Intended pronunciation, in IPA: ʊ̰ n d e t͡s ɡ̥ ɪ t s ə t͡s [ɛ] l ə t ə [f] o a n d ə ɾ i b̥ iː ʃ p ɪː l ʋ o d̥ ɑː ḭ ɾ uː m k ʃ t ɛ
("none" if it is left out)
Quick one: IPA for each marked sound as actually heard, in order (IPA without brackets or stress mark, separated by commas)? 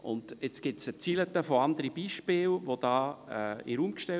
i, f